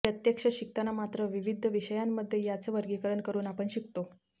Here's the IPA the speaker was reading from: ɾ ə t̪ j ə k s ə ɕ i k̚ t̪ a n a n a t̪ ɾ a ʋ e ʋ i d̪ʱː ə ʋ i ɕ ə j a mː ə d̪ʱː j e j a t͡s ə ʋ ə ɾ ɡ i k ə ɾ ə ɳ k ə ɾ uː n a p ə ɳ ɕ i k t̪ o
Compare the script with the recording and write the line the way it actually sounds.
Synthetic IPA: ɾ ə t̪ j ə k ʂ ə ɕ i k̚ t̪ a n a m a t̪ ɾ ə ʋ i ʋ i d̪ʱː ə ʋ i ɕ ə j a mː ə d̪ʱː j e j a t͡s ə ʋ ə ɾ ɡ i k ə ɾ ə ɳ k ə ɾ uː n a p ə ɳ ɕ i k t̪ o